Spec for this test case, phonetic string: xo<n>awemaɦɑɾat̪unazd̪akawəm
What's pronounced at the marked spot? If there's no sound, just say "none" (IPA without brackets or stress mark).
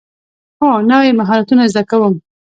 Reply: n